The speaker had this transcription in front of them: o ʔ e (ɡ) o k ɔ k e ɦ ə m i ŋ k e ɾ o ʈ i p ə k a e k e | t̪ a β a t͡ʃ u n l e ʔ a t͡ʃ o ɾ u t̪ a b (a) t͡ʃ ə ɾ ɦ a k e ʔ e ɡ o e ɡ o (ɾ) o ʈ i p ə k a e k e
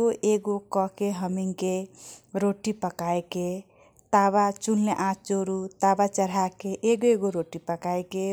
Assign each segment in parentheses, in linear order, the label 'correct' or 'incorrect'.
correct, correct, correct

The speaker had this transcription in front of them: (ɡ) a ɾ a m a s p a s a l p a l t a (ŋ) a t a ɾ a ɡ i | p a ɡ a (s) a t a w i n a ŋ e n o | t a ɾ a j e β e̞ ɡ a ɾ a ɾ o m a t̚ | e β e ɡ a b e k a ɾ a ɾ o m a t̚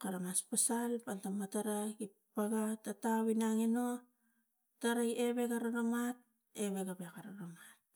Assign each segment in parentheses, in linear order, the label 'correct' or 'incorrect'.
incorrect: k, incorrect: m, incorrect: t

